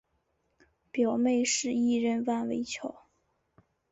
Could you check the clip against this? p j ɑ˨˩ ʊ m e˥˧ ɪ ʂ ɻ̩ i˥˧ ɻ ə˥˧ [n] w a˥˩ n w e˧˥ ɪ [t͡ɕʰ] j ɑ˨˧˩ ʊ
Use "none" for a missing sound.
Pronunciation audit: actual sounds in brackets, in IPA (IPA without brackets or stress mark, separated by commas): n, t͡ɕʰ